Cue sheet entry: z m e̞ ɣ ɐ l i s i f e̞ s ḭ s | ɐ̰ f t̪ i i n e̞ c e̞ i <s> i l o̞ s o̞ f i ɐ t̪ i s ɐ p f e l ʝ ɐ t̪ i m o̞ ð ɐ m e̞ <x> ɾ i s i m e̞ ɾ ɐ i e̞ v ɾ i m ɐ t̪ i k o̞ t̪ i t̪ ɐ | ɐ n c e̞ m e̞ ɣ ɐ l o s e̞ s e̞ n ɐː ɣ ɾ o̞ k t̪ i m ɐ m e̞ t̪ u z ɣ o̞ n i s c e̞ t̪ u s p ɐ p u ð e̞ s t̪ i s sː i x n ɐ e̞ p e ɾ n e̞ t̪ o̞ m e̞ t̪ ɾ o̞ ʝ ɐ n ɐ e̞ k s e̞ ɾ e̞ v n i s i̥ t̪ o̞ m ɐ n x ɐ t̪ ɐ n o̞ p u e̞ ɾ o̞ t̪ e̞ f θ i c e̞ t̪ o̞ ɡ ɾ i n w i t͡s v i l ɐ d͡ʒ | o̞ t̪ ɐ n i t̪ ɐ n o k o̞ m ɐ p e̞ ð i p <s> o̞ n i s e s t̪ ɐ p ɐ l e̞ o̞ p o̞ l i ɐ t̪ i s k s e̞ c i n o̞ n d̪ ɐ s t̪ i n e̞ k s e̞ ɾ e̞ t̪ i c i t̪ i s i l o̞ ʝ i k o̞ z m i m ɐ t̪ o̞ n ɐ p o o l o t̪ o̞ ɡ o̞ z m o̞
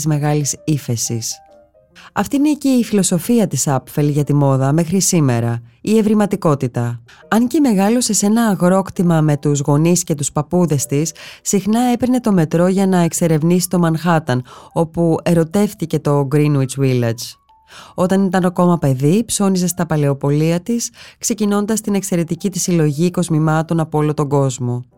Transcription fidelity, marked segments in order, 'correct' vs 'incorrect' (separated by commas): incorrect, correct, correct